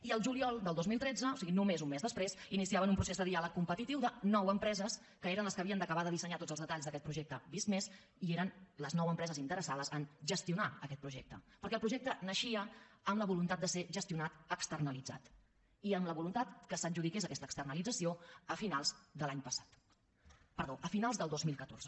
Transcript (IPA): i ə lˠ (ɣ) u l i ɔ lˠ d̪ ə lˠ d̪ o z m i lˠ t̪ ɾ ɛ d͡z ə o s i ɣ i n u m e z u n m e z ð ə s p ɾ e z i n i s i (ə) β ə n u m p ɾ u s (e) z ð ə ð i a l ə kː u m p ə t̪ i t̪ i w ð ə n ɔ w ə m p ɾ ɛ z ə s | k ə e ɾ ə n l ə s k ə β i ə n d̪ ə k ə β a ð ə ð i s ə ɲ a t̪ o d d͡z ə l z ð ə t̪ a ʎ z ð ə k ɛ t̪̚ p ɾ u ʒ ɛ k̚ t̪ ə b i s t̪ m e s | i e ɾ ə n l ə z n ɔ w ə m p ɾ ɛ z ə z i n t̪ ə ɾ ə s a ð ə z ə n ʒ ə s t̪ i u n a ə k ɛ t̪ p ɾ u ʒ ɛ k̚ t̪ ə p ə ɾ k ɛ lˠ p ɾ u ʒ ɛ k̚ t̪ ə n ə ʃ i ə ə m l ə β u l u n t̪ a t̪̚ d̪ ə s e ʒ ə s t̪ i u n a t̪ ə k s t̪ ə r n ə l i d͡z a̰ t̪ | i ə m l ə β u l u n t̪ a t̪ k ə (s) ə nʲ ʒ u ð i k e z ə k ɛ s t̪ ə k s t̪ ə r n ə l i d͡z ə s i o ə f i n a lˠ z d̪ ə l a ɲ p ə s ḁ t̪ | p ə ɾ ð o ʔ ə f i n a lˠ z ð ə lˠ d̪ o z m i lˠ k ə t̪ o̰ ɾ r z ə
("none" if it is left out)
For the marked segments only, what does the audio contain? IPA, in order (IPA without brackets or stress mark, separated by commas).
ʒ, a, e, s